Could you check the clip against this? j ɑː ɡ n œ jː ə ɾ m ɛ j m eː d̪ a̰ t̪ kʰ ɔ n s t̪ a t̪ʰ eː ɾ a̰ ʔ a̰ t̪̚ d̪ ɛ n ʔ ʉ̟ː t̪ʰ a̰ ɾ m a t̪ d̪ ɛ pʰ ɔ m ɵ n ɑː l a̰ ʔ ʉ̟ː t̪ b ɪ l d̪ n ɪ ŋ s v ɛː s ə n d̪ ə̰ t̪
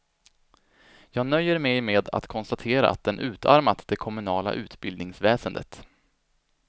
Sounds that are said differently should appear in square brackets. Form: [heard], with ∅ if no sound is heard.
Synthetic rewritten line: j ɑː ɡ n œ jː ə ɾ m ɛ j m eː d̪ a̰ t̪ kʰ ɔ n s t̪ a t̪ʰ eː ɾ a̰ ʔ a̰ t̪̚ d̪ ɛ n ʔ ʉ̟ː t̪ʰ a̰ ɾ m a t̪ d̪ ɛ [kʰ] ɔ m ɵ n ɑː l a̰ ʔ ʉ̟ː t̪ b ɪ l d̪ n ɪ ŋ s v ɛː s ə n d̪ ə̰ t̪